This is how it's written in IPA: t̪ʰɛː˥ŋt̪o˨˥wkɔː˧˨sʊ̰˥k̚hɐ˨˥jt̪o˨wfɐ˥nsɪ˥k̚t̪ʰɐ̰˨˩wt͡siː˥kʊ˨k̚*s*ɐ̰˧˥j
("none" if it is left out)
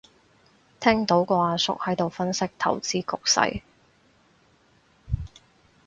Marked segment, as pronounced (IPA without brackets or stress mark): s